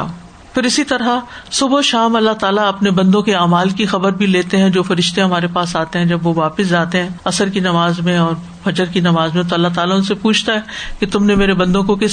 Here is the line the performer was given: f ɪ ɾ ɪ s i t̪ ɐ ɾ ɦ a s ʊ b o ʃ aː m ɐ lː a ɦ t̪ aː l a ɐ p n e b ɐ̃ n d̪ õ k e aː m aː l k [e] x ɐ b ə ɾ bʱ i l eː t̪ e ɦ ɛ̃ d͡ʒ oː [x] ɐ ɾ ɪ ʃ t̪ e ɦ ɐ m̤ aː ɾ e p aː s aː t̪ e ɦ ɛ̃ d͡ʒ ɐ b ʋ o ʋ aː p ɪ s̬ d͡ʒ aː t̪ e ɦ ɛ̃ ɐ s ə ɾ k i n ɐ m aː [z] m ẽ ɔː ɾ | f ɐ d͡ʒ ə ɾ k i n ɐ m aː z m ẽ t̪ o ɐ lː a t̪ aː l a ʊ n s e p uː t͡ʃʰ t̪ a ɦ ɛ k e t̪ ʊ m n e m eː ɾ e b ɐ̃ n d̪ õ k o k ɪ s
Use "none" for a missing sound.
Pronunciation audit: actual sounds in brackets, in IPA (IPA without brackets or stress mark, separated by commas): i, f, z